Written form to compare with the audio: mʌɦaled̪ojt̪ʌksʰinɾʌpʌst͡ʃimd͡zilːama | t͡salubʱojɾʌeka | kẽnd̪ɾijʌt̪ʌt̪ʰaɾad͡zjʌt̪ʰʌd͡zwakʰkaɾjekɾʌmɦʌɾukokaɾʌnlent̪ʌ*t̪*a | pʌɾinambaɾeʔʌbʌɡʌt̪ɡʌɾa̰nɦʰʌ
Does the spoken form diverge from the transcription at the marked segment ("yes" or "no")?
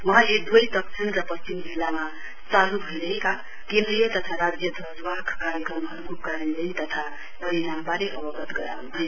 yes